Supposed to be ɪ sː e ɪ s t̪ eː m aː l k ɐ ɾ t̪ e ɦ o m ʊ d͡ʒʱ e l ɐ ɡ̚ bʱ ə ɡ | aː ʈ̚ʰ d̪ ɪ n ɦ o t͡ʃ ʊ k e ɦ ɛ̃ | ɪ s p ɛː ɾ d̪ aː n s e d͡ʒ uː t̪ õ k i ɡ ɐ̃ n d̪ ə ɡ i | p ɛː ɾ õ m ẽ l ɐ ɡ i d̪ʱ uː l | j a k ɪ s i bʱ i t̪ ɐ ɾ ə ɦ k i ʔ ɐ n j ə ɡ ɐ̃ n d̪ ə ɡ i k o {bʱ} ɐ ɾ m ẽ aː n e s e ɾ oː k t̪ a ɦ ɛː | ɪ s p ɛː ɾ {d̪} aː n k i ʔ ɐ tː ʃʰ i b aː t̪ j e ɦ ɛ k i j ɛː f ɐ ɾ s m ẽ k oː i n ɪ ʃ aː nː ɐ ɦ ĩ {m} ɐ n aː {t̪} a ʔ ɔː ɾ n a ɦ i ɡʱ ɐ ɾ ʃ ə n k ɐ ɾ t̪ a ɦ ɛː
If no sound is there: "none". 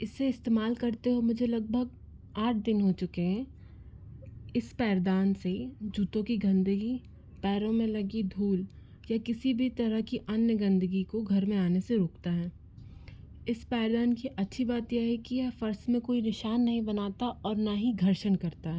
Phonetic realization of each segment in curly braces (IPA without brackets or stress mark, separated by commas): ɡʱ, d̪, b, t̪